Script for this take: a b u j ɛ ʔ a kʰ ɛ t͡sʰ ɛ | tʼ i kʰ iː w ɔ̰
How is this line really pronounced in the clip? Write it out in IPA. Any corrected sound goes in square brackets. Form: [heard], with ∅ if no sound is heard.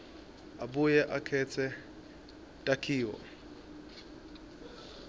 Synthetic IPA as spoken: a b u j ɛ ʔ a kʰ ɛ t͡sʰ ɛ | tʼ [a] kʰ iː w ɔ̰